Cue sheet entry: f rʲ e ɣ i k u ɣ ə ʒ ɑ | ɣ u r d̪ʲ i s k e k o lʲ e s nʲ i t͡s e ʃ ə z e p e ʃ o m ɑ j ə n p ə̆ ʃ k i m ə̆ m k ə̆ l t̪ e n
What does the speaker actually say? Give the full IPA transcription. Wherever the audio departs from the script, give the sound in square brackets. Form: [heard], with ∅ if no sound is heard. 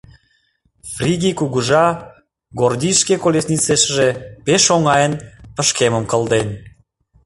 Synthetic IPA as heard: f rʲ [i] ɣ i k u ɣ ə ʒ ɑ | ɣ [o] r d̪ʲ i [ʃ] k e k o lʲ e s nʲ i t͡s e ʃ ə [ʒ] e p e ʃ o [ŋ] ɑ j ə n p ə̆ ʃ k [e] m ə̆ m k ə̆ l [d̪] e n